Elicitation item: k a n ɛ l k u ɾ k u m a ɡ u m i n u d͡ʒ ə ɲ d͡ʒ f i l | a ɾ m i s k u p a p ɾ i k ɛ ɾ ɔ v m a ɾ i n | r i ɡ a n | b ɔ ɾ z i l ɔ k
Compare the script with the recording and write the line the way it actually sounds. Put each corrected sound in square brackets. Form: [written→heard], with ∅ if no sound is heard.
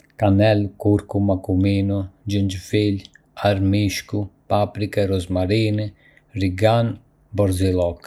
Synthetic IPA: k a n ɛ l k u ɾ k u m a [ɡ→k] u m i n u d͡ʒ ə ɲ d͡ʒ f i l | a ɾ m i [s→ʃ] k u p a p ɾ i k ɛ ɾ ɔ [v→z] m a ɾ i n | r i ɡ a n | b ɔ ɾ z i l ɔ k